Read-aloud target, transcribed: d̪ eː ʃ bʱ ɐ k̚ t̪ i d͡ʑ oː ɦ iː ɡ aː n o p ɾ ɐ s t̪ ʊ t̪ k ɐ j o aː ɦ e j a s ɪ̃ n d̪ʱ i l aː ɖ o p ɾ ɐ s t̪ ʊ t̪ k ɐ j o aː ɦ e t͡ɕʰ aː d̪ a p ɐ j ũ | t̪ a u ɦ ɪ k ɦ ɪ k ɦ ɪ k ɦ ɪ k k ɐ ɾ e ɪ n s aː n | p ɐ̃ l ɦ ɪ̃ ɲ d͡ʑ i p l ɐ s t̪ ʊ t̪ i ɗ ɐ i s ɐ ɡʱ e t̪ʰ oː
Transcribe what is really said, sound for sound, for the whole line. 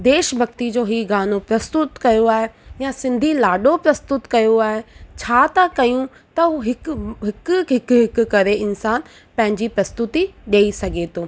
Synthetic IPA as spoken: d̪ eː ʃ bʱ ɐ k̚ t̪ i d͡ʑ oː ɦ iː ɡ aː n o p ɾ ɐ s t̪ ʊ t̪ k ɐ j o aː ɦ e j a s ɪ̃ n d̪ʱ i l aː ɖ o p ɾ ɐ s t̪ ʊ t̪ k ɐ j o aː ɦ e t͡ɕʰ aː t̪ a k ɐ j ũ | t̪ ɐ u ɦ ɪ k ɦ ɪ k ɦ ɪ k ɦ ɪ k k ɐ ɾ e ɪ n s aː n | p ɐ̃ ɦ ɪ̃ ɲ d͡ʑ i p ɾ ɐ s t̪ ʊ t̪ i ɗ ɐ i s ɐ ɡʱ e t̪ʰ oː